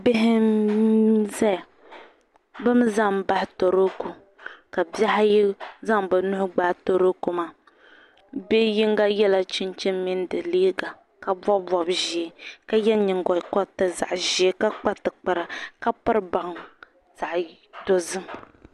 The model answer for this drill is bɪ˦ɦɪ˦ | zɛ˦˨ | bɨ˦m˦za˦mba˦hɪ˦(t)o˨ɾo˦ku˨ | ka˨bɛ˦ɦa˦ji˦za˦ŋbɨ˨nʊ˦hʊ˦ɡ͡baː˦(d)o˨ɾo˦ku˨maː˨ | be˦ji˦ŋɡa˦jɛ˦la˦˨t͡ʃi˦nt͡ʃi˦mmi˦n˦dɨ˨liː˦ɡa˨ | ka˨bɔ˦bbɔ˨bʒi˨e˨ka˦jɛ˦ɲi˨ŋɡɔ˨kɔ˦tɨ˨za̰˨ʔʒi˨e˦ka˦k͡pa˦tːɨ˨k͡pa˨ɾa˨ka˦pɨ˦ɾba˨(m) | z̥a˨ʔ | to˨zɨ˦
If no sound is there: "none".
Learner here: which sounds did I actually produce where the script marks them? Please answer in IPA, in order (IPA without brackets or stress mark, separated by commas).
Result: t, t, ŋ